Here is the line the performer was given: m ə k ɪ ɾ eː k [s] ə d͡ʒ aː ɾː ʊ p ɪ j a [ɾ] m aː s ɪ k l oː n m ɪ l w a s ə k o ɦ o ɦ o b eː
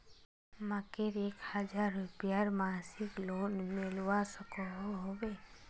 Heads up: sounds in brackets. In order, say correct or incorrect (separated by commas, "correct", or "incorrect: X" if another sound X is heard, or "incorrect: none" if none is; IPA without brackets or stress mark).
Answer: incorrect: h, correct